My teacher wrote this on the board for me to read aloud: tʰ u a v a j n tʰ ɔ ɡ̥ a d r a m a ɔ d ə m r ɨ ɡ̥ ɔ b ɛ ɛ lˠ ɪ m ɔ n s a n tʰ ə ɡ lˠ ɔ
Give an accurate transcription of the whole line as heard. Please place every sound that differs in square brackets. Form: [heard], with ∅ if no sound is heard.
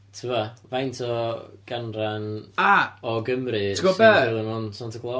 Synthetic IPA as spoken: tʰ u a v a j n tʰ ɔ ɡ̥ a [n] r a [n] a ɔ [ɡ] ə m r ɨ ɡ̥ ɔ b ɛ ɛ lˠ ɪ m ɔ n s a n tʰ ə ɡ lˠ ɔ